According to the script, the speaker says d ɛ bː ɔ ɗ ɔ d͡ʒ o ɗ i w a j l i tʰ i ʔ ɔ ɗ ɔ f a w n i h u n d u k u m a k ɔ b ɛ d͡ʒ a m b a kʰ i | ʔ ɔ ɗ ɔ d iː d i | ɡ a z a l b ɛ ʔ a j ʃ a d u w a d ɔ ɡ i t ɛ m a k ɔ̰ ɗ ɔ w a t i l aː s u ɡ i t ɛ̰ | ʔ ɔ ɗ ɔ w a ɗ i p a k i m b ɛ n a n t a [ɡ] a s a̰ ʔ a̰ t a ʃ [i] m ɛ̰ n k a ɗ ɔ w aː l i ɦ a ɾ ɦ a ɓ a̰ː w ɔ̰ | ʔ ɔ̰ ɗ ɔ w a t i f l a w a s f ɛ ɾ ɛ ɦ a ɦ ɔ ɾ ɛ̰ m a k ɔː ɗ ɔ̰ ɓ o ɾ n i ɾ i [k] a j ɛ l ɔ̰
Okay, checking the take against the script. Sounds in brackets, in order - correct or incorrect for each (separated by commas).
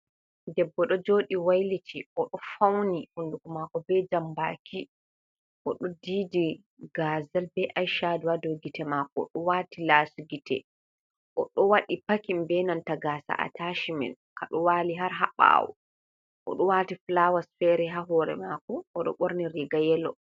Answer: correct, correct, incorrect